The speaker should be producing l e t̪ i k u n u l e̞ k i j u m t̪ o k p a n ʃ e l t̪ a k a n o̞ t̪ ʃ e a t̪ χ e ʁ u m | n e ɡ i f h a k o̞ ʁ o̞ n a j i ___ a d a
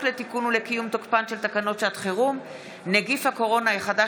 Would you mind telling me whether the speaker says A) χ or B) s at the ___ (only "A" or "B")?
A